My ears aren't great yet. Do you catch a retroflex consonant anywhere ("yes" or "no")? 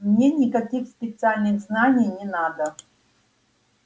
no